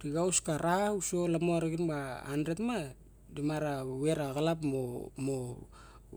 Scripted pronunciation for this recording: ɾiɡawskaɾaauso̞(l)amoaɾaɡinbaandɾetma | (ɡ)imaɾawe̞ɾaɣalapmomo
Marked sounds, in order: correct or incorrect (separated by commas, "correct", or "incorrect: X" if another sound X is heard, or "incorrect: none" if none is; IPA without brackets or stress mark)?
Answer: correct, incorrect: d